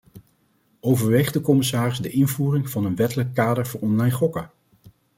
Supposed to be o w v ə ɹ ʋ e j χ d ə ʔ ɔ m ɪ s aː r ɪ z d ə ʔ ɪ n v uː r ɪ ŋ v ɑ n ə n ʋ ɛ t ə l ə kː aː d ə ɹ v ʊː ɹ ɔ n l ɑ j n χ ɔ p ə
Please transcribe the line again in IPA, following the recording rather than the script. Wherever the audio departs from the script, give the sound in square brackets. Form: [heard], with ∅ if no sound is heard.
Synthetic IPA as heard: o w v ə ɹ ʋ e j χ d ə [k] ɔ m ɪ s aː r ɪ z d ə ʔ ɪ n v uː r ɪ ŋ v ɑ n ə n ʋ ɛ t ə l ə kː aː d ə ɹ v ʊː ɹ ɔ n l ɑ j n χ ɔ [k] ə